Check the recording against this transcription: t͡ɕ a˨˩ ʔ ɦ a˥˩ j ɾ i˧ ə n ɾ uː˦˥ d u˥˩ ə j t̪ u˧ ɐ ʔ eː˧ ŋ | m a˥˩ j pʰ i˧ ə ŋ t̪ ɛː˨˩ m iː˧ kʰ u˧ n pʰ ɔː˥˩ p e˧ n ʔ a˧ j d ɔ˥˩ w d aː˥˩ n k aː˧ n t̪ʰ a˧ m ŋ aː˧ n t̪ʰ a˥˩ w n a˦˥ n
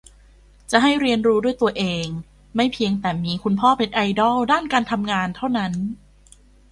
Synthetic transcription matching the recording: t͡ɕ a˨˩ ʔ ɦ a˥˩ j ɾ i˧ ə n ɾ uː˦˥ d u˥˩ ə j t̪ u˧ ɐ ʔ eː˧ ŋ | m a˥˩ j pʰ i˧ ə ŋ t̪ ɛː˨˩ m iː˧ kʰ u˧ n pʰ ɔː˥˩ p e˧ n ʔ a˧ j d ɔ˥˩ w d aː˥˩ n k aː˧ n t̪ʰ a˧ m ŋ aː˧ n t̪ʰ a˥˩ w n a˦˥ n